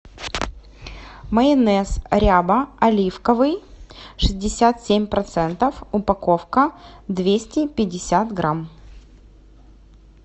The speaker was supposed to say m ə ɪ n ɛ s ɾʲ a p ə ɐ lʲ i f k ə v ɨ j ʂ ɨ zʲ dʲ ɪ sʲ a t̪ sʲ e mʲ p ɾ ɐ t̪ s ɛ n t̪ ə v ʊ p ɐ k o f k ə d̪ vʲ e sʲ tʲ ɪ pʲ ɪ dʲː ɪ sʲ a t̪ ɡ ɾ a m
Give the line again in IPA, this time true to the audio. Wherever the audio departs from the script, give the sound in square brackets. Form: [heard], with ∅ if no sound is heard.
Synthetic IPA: m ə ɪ n ɛ s ɾʲ a [b] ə ɐ lʲ i f k ə v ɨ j ʂ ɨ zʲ dʲ ɪ sʲ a t̪ sʲ e mʲ p ɾ ɐ t̪ s ɛ n t̪ ə [f] ʊ p ɐ k o f k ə d̪ vʲ e sʲ tʲ ɪ pʲ ɪ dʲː ɪ sʲ a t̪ ɡ ɾ a m

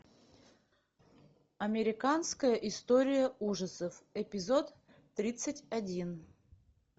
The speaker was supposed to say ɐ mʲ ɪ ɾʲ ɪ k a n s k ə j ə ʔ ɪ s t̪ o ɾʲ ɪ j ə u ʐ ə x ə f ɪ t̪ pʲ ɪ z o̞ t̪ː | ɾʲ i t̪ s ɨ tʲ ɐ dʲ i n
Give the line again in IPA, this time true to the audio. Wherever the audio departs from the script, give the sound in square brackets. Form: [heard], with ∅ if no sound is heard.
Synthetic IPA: ɐ mʲ ɪ ɾʲ ɪ k a n s k ə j ə ʔ ɪ s t̪ o ɾʲ ɪ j ə u ʐ ə [s] ə f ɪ [∅] pʲ ɪ z o̞ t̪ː | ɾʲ i t̪ s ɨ tʲ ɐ dʲ i n

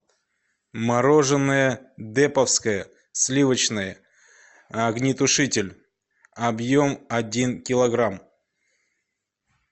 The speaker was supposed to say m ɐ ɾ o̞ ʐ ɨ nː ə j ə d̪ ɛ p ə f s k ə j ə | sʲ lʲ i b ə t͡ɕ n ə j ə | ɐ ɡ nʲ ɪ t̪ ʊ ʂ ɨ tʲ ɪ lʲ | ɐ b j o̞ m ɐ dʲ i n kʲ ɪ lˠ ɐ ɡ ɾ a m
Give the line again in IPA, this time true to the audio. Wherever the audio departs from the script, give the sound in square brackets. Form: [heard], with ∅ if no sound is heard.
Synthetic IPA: m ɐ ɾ o̞ ʐ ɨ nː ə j ə d̪ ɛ p ə f s k ə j ə | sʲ lʲ i [v] ə t͡ɕ n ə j ə | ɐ ɡ nʲ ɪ t̪ ʊ ʂ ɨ tʲ ɪ lʲ | ɐ b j o̞ m ɐ dʲ i n kʲ ɪ lˠ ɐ ɡ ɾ a m

